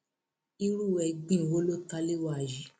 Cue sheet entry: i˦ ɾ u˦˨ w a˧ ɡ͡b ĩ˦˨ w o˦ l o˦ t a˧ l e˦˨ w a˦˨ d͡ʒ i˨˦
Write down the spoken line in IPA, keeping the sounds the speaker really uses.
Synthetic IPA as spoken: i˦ ɾ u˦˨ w ɛ˧ ɡ͡b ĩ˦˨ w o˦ l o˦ t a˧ l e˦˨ w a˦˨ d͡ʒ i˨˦